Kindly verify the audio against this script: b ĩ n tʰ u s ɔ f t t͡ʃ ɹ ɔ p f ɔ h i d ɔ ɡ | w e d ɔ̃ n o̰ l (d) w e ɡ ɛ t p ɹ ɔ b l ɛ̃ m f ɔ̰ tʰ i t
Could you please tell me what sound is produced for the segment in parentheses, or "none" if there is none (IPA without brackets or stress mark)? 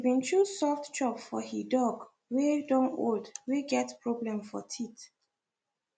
d